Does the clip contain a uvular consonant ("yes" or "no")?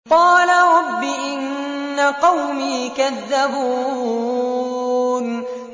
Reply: yes